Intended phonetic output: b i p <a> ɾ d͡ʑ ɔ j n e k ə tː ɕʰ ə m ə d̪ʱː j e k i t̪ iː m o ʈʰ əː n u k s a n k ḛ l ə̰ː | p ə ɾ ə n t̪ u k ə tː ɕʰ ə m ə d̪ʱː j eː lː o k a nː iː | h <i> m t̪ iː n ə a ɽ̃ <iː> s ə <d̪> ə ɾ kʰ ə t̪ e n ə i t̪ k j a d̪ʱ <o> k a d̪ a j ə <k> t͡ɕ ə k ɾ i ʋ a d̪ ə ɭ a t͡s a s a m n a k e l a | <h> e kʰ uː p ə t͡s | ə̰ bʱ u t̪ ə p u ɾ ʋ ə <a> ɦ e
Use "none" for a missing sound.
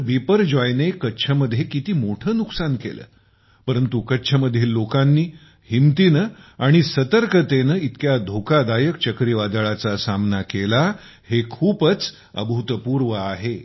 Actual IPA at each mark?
ə, i, i, t̪, o, k, h, a

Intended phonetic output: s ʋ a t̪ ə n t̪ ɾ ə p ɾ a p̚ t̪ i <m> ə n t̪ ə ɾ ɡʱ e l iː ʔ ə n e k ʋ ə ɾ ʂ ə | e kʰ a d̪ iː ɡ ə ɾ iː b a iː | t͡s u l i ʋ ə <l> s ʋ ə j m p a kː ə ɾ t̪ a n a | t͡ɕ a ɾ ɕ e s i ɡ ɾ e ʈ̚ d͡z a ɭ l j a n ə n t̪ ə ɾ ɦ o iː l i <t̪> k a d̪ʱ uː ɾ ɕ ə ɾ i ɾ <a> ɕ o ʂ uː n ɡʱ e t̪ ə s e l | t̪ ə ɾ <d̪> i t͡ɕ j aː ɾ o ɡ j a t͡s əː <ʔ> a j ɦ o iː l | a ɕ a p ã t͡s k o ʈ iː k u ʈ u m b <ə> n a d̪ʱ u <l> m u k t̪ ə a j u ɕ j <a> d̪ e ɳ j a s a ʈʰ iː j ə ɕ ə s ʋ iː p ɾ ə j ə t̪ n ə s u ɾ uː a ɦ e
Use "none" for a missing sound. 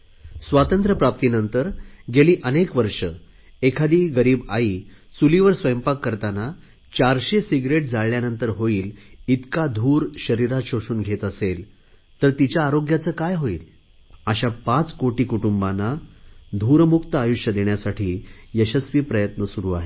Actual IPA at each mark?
n, ɾ, t̪, a, t̪, k, a, ɾ, ə

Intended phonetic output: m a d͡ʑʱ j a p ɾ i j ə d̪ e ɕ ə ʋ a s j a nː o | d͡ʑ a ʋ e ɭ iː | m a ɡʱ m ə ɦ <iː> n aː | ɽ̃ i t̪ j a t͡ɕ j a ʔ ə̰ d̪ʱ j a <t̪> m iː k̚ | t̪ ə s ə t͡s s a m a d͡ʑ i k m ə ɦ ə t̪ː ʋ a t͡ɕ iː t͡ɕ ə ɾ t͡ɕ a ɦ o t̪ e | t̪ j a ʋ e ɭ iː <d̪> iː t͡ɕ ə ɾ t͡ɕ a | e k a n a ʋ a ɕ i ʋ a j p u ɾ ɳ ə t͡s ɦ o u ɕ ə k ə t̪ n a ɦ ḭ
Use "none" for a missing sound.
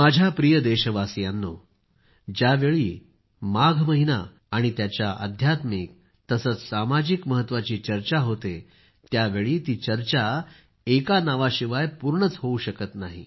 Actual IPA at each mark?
i, t̪, t̪

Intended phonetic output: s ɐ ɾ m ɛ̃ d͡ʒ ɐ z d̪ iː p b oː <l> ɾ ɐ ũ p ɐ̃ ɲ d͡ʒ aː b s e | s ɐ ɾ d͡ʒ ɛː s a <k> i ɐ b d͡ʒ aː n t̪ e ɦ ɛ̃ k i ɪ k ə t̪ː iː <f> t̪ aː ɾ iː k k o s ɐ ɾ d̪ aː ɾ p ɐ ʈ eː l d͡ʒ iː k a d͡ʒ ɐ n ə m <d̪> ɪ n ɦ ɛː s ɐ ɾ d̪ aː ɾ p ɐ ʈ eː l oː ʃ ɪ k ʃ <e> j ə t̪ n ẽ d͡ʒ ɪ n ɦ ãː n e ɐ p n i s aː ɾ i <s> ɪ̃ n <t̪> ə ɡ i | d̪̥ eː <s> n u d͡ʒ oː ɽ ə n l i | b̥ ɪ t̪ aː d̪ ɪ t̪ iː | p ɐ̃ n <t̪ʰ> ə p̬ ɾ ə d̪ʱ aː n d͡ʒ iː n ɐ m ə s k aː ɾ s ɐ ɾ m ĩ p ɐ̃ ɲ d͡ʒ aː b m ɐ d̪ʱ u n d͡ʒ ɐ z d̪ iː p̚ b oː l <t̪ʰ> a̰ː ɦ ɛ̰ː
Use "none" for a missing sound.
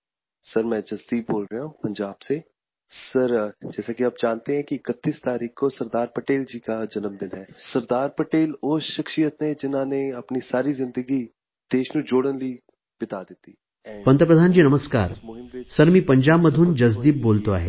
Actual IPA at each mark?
l, k, s, d̪, i, z, d̪, ʃ, t̪, t̪

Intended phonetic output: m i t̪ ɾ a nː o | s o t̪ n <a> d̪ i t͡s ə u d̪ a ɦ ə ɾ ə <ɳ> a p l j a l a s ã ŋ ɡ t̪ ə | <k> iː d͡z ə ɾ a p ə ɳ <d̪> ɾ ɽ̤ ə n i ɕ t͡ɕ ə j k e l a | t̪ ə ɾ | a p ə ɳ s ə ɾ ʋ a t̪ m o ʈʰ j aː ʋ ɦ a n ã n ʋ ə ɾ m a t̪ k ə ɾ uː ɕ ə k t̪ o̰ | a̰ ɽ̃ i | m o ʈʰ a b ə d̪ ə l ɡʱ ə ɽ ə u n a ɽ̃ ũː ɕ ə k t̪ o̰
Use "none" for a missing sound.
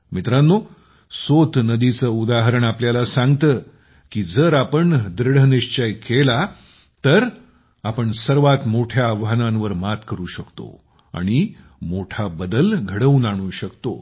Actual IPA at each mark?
ə, ɳ, k, d̪

